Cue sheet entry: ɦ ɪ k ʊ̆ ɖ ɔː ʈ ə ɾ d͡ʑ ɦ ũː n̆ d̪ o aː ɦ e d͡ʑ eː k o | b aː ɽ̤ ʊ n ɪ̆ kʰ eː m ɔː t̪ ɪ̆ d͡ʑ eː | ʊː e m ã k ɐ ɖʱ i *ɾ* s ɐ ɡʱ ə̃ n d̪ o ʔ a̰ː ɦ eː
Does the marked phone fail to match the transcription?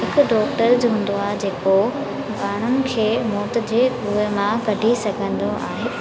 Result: yes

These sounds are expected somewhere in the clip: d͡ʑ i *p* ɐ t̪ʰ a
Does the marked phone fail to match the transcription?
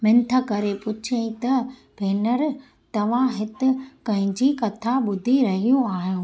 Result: yes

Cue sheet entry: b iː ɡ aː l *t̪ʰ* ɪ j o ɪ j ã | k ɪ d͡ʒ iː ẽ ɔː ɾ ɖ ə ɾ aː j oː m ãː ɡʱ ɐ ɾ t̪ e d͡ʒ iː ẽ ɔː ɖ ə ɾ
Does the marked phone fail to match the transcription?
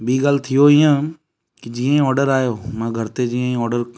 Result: no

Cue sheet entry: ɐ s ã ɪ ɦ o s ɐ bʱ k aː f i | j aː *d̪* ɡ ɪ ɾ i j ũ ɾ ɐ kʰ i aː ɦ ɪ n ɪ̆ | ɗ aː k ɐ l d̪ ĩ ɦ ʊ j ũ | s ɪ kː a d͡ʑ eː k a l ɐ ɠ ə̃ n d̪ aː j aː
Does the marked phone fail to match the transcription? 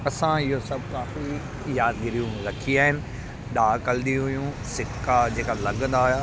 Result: no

